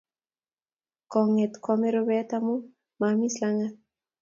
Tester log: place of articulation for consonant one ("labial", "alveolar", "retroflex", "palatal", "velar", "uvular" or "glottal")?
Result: velar